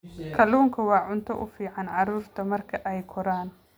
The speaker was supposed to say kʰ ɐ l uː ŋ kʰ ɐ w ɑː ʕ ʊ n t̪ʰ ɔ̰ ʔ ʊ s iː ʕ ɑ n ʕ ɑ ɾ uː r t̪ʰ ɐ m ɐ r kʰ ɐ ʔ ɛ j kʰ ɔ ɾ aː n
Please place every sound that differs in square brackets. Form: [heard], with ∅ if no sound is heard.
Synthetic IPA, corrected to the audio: kʰ ɐ l uː ŋ kʰ ɐ w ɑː ʕ ʊ n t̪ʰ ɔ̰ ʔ ʊ [f] iː ʕ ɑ n ʕ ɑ ɾ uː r t̪ʰ ɐ m ɐ r kʰ ɐ ʔ ɛ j kʰ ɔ ɾ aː n